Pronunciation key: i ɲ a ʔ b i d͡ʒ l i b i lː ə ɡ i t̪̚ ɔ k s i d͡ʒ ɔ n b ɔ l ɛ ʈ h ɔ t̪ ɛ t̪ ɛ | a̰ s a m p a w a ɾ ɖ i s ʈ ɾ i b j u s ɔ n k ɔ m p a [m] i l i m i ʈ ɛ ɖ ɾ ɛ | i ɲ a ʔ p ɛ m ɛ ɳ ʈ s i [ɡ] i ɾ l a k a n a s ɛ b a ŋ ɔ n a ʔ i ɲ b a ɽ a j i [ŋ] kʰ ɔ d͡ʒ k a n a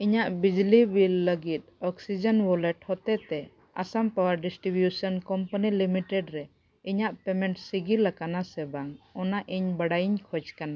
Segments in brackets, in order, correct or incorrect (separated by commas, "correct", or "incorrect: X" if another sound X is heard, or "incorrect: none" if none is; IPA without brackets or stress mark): incorrect: n, correct, incorrect: ɲ